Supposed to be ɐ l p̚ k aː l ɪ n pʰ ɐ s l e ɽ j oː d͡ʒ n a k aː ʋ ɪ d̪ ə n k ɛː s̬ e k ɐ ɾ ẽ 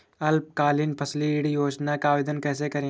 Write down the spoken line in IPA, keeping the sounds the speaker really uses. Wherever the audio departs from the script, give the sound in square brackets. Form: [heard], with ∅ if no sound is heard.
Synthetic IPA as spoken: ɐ l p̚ k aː l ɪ n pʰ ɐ s l [i] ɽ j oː d͡ʒ n a k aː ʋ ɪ d̪ ə n k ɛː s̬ e k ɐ ɾ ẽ